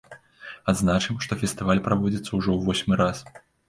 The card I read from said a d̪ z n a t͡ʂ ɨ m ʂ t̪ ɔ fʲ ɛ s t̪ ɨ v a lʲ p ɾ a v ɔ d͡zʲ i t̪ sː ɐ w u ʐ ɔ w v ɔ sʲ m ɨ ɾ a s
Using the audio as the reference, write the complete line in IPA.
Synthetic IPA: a d̪ z n a t͡ʂ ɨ m ʂ t̪ ɔ fʲ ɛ s t̪ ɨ v a lʲ p ɾ a v ɔ d͡zʲ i t̪ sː ɐ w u ʐ ɔ w v ɔ sʲ m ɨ ɾ a s